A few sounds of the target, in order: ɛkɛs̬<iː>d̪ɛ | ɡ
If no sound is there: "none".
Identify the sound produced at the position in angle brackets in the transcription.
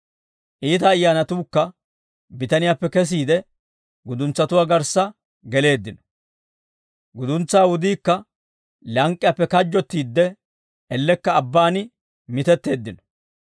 iː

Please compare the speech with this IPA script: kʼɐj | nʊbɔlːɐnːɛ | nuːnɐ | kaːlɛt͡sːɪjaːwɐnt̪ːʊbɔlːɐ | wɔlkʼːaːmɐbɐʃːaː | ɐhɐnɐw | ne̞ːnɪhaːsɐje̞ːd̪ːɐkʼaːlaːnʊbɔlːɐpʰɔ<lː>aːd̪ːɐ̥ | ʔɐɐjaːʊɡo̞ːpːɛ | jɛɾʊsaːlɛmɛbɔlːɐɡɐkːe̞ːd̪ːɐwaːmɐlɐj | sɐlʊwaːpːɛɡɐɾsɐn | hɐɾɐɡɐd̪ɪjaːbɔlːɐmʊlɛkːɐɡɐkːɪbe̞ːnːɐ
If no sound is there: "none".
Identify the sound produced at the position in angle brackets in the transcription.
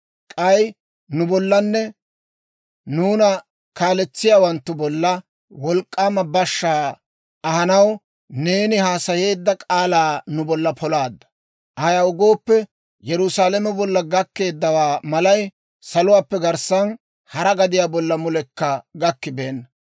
l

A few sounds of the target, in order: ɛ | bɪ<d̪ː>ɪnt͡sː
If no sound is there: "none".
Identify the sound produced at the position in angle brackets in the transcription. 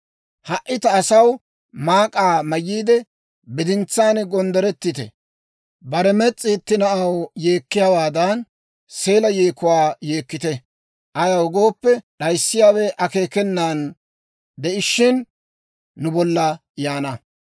d̪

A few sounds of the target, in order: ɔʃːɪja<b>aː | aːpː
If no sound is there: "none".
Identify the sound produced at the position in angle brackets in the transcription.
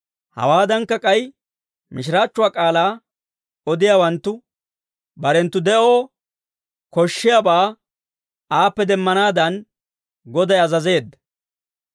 b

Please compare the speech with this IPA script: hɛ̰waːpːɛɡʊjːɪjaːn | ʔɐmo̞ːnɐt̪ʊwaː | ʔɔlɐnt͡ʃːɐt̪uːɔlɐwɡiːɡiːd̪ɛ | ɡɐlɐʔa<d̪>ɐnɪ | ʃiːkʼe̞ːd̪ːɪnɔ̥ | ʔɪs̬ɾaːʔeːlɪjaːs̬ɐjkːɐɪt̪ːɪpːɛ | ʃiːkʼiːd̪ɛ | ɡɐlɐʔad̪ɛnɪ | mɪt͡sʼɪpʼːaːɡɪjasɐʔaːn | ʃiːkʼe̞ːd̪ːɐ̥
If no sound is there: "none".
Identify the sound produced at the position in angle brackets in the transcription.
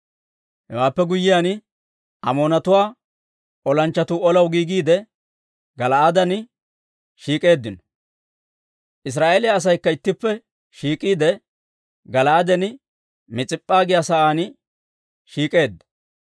d̪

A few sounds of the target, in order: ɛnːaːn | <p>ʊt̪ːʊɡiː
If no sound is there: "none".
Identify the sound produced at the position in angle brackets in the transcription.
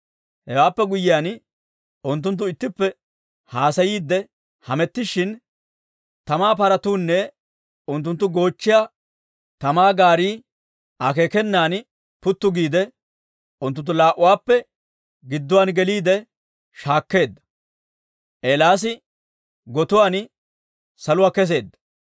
p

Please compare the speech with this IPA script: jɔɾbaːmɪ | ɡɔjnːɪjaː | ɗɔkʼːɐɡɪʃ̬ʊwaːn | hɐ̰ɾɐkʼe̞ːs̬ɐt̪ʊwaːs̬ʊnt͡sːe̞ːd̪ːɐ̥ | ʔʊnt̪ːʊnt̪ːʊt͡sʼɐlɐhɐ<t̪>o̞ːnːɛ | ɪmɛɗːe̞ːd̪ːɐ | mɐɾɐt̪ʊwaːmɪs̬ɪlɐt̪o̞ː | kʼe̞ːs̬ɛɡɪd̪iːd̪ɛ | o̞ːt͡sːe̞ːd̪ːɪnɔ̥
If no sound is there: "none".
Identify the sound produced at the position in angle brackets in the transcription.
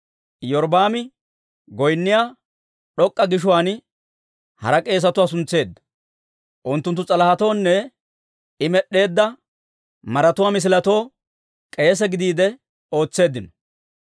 t̪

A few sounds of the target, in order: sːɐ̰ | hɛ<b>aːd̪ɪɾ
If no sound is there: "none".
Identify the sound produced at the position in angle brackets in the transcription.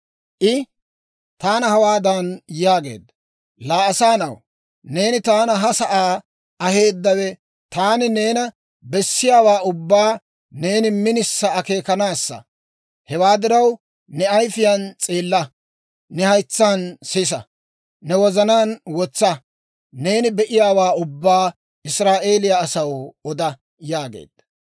w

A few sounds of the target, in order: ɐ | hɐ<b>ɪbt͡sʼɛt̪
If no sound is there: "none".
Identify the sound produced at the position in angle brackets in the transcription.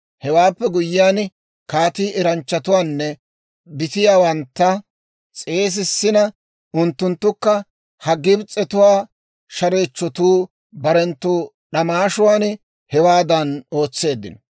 ɡ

